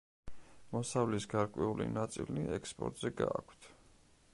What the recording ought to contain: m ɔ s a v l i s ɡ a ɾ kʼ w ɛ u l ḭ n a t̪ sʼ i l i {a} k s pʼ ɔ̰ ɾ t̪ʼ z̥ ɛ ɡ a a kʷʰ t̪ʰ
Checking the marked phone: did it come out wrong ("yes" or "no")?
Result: yes